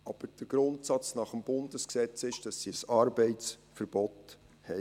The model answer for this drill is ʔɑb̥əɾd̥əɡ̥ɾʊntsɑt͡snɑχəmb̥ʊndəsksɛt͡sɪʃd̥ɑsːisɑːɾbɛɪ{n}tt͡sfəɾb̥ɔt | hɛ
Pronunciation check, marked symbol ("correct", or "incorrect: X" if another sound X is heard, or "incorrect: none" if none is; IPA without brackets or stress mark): incorrect: none